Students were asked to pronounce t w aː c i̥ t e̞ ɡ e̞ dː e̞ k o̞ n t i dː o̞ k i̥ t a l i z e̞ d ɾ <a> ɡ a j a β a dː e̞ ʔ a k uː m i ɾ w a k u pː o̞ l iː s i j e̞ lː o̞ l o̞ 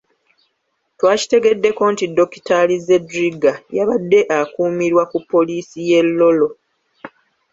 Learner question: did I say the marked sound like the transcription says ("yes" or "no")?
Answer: no